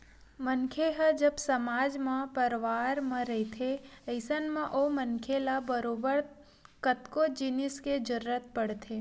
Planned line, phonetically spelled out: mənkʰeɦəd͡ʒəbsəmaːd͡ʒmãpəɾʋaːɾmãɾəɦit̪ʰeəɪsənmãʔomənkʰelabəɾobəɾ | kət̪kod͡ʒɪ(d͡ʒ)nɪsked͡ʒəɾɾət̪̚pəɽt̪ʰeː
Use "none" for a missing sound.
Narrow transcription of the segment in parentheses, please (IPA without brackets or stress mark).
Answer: none